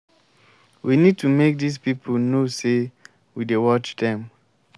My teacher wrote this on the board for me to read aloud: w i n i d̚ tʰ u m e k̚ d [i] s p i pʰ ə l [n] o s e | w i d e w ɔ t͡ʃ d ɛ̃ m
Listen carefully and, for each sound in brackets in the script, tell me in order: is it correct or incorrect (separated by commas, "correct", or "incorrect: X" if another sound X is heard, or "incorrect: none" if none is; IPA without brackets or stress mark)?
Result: correct, correct